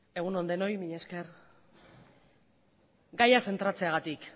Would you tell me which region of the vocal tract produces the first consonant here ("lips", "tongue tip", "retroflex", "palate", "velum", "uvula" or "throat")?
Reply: velum